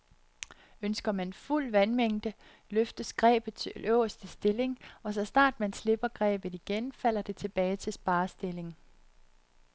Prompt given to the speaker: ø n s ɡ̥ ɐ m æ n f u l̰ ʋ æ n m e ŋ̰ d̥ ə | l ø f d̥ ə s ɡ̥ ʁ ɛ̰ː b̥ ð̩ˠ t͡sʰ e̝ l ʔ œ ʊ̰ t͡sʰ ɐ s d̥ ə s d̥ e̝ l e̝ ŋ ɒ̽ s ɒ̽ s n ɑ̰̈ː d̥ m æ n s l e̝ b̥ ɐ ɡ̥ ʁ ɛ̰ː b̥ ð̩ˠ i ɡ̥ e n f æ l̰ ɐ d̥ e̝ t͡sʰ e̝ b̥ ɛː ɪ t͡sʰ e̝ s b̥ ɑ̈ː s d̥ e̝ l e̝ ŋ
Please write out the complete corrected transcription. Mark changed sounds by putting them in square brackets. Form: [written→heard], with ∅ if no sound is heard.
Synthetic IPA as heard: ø n s ɡ̥ ɐ m æ n f u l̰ ʋ æ n m e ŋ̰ d̥ ə | l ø f d̥ ə s ɡ̥ ʁ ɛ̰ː b̥ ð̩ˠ t͡sʰ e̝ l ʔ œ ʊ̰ [t͡sʰ→∅] ɐ s d̥ ə s d̥ e̝ l e̝ ŋ ɒ̽ s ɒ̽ s n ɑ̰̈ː d̥ m æ n s l e̝ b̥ ɐ ɡ̥ ʁ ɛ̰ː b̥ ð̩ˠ i ɡ̥ e n f æ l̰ ɐ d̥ e̝ t͡sʰ e̝ b̥ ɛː ɪ t͡sʰ e̝ s b̥ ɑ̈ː s d̥ e̝ l e̝ ŋ